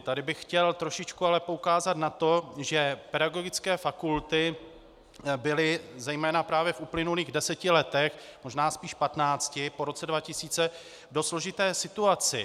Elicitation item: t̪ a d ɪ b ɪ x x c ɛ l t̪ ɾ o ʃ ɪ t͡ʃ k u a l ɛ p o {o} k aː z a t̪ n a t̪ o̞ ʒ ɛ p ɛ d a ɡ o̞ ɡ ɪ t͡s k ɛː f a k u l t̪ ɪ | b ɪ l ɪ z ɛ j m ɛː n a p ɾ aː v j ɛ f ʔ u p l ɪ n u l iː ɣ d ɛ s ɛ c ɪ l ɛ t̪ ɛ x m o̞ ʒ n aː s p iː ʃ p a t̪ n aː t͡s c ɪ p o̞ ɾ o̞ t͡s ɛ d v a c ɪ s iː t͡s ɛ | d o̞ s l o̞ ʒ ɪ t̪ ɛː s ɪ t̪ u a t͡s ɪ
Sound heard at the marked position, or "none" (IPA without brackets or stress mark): u